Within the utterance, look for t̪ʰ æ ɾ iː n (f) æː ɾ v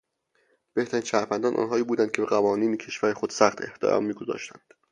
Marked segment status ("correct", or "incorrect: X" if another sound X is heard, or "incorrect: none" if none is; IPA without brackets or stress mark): incorrect: ʃ